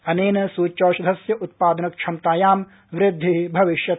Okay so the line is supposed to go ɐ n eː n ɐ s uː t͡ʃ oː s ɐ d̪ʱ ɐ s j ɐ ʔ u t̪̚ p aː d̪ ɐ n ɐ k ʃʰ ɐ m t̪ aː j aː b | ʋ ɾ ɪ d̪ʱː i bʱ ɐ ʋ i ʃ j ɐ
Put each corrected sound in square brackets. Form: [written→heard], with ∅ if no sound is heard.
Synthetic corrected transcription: ɐ n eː n ɐ s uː t͡ʃ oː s ɐ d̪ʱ ɐ s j ɐ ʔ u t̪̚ p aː d̪ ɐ n ɐ k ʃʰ ɐ m t̪ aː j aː [b→m] | ʋ ɾ ɪ d̪ʱː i bʱ ɐ ʋ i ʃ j ɐ